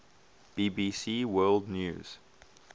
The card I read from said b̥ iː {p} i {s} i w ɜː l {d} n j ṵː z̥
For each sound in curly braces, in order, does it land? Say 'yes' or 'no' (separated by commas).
no, yes, yes